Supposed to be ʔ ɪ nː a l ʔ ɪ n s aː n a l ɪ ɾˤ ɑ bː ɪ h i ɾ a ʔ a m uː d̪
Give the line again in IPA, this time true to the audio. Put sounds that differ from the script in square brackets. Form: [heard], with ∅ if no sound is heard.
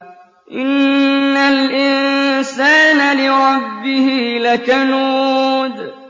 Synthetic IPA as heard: ʔ ɪ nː a l ʔ ɪ n s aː n a l ɪ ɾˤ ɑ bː ɪ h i [l] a [k] a [n] uː d̪